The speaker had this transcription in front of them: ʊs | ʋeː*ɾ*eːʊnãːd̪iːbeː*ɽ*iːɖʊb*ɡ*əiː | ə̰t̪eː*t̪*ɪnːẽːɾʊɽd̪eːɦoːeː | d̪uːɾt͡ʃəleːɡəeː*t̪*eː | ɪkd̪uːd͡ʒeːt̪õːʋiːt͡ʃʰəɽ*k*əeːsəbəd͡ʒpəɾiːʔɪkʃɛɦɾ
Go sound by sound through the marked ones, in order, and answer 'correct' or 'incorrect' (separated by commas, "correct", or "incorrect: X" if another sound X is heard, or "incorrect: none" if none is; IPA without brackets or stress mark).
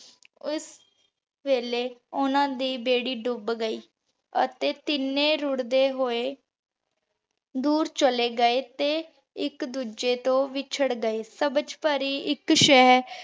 incorrect: l, correct, correct, correct, correct, incorrect: ɡ